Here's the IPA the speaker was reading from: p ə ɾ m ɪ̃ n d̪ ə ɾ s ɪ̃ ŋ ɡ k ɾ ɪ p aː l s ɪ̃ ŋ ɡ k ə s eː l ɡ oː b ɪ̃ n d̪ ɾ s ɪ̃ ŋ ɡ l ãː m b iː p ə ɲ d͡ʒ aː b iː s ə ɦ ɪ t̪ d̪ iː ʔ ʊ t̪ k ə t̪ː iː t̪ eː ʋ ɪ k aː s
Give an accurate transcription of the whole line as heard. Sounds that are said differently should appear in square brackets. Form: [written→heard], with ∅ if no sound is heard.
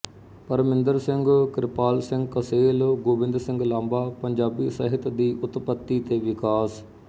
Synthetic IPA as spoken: p ə ɾ m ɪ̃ n d̪ ə ɾ s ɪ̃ ŋ ɡ k ɾ ɪ p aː l s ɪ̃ ŋ ɡ k ə s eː l ɡ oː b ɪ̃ n d̪ ɾ s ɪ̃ ŋ ɡ l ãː m b [iː→aː] p ə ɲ d͡ʒ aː b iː s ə ɦ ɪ t̪ d̪ iː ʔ ʊ t̪ [k→p] ə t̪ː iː t̪ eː ʋ ɪ k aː s